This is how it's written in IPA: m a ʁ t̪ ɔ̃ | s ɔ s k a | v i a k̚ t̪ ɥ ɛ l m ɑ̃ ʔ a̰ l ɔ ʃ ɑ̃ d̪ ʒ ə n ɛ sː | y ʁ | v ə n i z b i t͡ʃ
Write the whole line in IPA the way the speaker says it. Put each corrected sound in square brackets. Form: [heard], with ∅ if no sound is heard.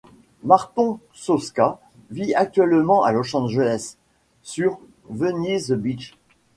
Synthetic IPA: m a ʁ t̪ ɔ̃ | s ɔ s k a | v i a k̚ t̪ ɥ ɛ l m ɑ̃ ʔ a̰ l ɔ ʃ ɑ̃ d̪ ʒ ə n ɛ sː | y ʁ | v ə n i z b i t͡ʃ